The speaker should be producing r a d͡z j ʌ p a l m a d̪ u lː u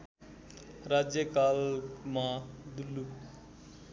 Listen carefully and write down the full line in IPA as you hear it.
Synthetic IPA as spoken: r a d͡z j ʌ k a l m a d̪ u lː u